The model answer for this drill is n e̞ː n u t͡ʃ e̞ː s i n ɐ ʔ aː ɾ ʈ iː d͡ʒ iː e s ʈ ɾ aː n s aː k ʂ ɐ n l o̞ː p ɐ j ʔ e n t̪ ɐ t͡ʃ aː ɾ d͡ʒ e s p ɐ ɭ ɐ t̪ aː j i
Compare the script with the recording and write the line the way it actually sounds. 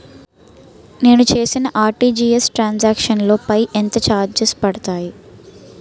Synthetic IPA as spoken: n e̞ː n u t͡ʃ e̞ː s i n ɐ ʔ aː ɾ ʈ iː d͡ʒ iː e s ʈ ɾ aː n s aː k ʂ ɐ n l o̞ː p ɐ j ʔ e n t̪ ɐ t͡ʃ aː ɾ d͡ʒ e s p ɐ ɽ ɐ t̪ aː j i